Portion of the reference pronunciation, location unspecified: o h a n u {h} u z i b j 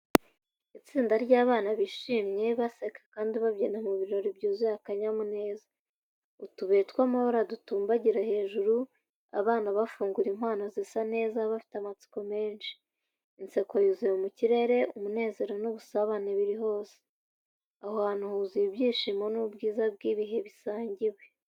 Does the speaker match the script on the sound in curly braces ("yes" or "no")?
yes